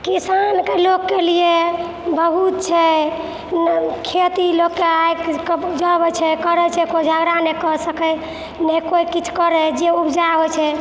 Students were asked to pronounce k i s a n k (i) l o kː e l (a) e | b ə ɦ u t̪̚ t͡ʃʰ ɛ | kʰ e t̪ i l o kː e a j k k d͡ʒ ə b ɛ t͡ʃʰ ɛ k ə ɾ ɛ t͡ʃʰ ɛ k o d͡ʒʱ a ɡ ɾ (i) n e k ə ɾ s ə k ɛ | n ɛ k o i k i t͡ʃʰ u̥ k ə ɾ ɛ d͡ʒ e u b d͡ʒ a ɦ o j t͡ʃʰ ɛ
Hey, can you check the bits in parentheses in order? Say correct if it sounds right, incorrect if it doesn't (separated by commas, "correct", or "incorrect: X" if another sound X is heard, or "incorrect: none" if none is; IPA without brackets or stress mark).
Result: incorrect: e, incorrect: i, incorrect: a